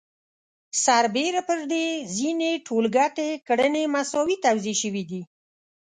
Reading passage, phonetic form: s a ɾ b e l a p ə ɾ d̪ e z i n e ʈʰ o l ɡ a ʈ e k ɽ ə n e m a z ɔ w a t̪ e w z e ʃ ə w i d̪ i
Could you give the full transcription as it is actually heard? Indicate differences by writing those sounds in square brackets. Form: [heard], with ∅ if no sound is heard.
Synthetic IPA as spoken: s a ɾ b e [ɾ] a p ə ɾ d̪ e z i n e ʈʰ o l ɡ a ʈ e k ɽ ə n e m a [s] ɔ w [i] t̪ [a] w z e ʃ ə w i d̪ i